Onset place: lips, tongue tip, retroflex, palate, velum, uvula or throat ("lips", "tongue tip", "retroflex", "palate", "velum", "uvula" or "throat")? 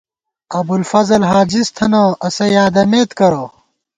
lips